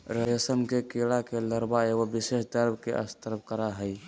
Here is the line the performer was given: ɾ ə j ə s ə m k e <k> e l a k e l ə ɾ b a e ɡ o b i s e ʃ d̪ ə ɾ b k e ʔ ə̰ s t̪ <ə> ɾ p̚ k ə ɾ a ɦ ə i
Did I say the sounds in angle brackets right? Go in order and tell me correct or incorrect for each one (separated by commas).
correct, correct